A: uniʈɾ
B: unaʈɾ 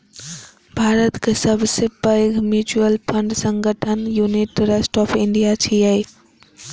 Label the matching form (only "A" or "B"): A